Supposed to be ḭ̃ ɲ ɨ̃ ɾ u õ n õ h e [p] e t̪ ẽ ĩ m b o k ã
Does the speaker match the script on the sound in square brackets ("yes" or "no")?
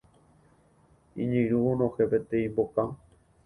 yes